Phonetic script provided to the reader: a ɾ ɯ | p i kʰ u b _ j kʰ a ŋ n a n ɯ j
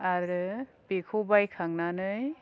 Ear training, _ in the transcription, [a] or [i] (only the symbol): a